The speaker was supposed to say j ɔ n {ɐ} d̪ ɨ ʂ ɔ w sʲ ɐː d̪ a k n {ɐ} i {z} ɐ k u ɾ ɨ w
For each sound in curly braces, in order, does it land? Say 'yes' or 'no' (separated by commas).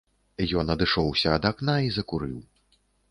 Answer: yes, no, yes